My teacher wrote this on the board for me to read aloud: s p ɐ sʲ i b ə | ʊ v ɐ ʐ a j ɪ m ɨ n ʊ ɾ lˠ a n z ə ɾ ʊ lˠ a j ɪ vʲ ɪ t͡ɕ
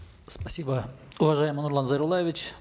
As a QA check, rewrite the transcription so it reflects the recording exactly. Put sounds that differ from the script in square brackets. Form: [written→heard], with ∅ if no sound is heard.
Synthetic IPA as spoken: s p ɐ sʲ i b ə | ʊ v ɐ ʐ a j ɪ m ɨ n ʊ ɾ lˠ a n z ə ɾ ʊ lˠ a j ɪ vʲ ɪ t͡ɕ

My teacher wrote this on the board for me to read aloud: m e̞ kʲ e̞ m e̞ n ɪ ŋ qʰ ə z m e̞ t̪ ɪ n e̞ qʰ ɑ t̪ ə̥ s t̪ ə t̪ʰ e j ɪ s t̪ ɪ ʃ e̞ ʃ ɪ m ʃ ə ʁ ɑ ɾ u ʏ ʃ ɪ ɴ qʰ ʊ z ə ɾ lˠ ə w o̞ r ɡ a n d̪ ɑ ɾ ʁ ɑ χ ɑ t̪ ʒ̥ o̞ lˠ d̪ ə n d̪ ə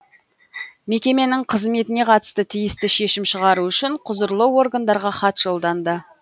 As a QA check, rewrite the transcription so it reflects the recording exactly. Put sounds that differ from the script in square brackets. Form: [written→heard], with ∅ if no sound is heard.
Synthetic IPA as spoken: m e̞ kʲ e̞ m e̞ n ɪ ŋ qʰ ə z m e̞ t̪ ɪ n e̞ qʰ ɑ t̪ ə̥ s t̪ ə t̪ʰ [e→i] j ɪ s t̪ ɪ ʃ e̞ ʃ ɪ m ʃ ə ʁ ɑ ɾ u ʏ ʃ ɪ ɴ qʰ ʊ z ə ɾ lˠ ə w o̞ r ɡ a n d̪ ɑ ɾ ʁ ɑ χ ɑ t̪ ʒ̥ o̞ lˠ d̪ [ə→ɑ] n d̪ ə

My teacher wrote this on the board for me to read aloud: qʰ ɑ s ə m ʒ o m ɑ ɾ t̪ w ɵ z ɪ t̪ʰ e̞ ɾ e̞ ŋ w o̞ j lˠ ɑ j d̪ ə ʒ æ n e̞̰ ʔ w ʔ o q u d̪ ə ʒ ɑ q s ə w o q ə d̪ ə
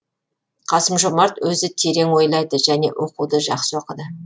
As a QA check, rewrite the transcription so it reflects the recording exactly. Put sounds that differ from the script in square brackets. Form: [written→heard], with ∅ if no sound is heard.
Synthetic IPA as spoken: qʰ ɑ s ə m ʒ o m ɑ ɾ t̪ w ɵ z ɪ t̪ʰ e̞ ɾ e̞ ŋ w o̞ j lˠ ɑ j d̪ ə ʒ æ n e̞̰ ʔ w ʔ o q u d̪ ə ʒ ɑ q s ə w o q ə d̪ ə

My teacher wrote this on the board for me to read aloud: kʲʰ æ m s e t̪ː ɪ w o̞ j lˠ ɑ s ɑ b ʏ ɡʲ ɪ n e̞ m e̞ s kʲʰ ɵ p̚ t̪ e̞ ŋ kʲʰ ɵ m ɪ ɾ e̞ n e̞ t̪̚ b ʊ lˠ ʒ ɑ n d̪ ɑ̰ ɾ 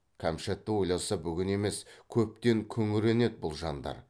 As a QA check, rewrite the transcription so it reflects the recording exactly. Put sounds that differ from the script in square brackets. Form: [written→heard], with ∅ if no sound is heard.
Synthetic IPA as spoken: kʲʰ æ m [s→ʃ] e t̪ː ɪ w o̞ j lˠ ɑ s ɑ b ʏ ɡʲ ɪ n e̞ m e̞ s kʲʰ ɵ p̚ t̪ e̞ ŋ kʲʰ ɵ [m→ŋ] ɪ ɾ e̞ n e̞ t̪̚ b ʊ lˠ ʒ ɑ n d̪ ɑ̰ ɾ

